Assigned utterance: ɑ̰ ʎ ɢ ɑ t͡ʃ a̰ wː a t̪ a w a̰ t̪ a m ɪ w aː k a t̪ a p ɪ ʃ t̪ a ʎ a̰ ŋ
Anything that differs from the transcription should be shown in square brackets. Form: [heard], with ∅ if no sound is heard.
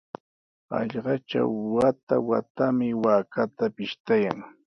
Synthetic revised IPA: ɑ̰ ʎ ɢ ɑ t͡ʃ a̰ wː a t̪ a w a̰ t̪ a m ɪ w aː k a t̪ a p ɪ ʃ t̪ a [j] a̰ ŋ